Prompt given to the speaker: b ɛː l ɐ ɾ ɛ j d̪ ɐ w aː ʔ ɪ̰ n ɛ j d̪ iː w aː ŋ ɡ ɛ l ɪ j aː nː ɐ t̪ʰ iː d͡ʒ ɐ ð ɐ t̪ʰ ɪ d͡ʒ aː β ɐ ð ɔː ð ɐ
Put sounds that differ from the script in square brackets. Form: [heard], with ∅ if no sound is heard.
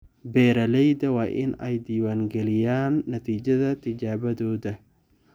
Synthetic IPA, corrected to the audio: b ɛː [ɾ] ɐ [l] ɛ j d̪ ɐ w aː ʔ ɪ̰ n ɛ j d̪ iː w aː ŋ ɡ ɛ l ɪ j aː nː ɐ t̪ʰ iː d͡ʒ ɐ ð ɐ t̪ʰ ɪ d͡ʒ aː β ɐ ð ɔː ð ɐ